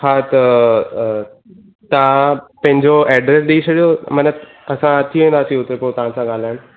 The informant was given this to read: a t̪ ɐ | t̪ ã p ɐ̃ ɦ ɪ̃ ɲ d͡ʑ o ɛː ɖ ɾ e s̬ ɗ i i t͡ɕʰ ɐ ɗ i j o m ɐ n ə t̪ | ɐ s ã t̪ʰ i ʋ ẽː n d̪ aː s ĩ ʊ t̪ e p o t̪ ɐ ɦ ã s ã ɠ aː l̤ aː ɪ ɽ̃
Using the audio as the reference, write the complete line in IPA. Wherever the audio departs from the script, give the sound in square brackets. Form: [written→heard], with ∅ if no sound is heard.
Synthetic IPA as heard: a t̪ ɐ | t̪ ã p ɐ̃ ɦ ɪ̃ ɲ d͡ʑ o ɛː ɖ ɾ e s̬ ɗ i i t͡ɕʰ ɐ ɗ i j o m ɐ n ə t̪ | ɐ s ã t̪ʰ i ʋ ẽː n d̪ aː s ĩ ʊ t̪ e p o t̪ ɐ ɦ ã s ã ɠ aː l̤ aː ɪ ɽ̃